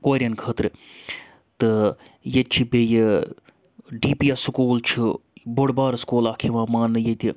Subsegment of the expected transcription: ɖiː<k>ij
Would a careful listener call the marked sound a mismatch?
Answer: yes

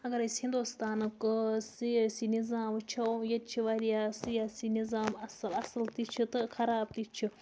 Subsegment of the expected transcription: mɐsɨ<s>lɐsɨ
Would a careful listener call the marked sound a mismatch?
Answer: yes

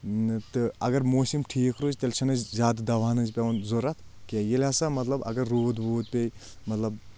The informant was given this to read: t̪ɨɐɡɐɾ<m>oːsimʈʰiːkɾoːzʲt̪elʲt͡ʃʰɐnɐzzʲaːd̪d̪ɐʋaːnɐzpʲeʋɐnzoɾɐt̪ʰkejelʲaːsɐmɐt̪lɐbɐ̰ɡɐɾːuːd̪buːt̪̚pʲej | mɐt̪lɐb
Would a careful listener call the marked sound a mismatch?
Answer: no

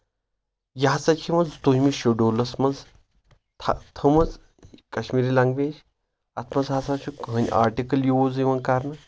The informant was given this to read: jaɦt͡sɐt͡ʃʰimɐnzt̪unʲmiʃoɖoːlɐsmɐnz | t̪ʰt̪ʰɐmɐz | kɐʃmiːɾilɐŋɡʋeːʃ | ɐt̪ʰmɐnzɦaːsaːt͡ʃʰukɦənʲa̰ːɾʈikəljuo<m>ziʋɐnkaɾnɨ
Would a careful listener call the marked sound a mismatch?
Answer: yes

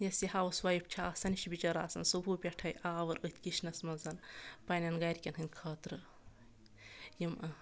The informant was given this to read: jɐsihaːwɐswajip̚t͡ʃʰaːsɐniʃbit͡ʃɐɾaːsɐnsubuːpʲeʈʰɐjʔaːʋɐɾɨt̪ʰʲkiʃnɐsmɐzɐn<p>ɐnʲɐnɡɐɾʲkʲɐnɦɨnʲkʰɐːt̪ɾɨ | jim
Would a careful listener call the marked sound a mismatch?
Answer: no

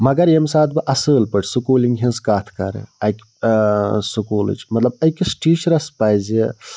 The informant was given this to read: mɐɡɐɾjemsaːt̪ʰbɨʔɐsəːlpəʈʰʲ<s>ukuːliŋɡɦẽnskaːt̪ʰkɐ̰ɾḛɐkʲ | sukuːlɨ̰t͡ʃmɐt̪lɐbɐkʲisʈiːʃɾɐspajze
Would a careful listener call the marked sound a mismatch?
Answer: no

